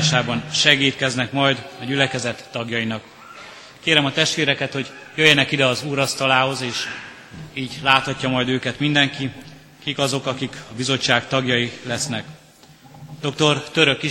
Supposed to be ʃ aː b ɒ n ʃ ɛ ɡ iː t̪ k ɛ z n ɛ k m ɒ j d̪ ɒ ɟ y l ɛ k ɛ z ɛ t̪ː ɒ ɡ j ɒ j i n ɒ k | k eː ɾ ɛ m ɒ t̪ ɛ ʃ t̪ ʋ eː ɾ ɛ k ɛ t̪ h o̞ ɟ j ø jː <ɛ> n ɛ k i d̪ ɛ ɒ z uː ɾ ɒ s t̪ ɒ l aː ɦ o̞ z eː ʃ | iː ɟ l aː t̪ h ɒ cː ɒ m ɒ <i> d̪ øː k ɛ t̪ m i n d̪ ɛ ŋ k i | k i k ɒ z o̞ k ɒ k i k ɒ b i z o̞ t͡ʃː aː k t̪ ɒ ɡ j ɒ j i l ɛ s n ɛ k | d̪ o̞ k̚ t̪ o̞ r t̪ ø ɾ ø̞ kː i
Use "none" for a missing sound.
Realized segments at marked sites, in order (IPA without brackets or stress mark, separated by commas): ɛ, j